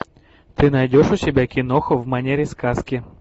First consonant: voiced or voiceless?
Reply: voiceless